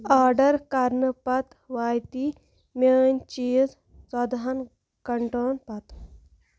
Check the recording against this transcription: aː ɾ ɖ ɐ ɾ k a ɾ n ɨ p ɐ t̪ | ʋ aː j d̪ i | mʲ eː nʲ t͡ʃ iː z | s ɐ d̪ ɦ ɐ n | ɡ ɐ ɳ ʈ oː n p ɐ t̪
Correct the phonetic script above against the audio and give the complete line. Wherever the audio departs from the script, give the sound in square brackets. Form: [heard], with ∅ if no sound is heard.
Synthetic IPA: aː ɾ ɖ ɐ ɾ k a ɾ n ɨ p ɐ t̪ | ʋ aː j [t̪] i | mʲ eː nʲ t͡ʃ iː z | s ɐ d̪ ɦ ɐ n | [k] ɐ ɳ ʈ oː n p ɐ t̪